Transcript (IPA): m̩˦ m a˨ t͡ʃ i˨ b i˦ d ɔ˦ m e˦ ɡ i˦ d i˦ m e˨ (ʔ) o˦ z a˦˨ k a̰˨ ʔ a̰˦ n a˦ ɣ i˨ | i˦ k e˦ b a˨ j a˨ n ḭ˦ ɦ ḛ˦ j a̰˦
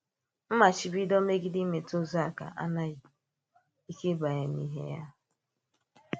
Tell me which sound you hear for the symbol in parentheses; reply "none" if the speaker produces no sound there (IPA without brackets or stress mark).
t